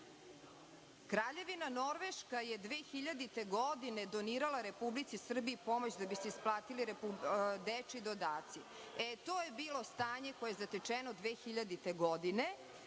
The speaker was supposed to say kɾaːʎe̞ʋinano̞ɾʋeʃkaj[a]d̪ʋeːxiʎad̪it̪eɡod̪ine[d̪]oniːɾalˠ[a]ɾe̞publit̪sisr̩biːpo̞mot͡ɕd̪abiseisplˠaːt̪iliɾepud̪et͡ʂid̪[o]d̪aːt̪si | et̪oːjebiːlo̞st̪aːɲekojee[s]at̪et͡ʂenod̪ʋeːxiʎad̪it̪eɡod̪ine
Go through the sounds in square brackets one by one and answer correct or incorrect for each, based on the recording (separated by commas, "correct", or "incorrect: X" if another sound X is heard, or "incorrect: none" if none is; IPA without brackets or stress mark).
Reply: incorrect: e, correct, correct, correct, incorrect: z